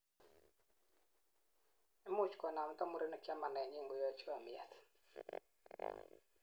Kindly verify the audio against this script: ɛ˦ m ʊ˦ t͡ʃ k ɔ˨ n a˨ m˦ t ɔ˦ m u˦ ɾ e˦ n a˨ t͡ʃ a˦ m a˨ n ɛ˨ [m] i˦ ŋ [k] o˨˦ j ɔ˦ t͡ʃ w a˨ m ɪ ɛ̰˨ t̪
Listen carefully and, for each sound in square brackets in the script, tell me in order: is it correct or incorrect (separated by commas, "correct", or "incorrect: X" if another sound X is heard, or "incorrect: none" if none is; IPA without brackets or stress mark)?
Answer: incorrect: ɲ, incorrect: ɡ